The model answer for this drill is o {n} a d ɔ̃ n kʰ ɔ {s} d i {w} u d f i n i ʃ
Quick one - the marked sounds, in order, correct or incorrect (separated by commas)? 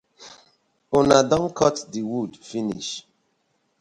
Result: correct, incorrect, correct